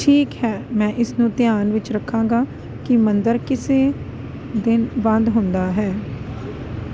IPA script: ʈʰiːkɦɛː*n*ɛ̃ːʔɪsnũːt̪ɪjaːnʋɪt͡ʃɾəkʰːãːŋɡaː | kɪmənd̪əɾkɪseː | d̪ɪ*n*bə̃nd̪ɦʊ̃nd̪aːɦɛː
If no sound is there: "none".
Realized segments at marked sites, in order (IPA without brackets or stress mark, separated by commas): m, n